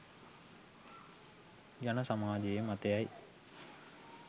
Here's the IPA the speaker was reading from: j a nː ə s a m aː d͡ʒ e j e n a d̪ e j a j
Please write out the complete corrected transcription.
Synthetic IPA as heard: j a n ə s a m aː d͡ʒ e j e m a t̪ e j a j